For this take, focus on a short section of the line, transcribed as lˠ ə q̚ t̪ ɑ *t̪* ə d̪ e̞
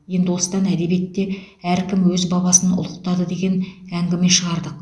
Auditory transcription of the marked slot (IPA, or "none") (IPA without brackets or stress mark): d̪